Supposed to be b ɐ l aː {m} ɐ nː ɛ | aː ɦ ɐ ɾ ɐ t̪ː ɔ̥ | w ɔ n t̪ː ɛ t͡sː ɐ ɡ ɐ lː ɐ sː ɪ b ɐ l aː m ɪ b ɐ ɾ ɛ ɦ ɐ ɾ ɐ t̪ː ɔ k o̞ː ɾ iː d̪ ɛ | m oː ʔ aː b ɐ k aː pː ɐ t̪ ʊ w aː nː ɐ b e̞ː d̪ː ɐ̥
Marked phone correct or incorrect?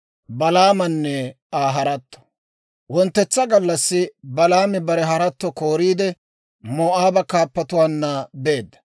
correct